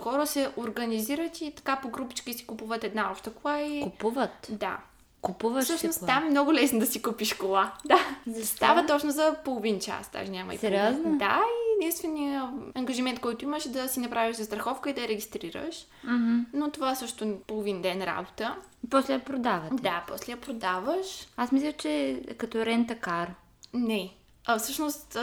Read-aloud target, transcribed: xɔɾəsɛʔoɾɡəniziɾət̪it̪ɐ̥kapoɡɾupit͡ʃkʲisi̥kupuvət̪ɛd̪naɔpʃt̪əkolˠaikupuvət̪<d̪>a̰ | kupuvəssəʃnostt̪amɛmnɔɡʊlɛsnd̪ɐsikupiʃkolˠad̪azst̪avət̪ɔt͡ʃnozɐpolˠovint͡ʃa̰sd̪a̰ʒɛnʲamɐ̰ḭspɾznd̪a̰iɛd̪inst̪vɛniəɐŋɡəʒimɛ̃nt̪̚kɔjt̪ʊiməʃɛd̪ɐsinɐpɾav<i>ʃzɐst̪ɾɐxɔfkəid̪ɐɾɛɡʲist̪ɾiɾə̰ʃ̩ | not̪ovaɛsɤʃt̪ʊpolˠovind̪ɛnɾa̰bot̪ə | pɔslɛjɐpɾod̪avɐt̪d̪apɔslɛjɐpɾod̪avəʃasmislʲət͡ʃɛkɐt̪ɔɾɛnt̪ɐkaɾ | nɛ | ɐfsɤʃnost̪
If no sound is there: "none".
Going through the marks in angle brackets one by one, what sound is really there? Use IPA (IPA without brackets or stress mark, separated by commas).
d̪, i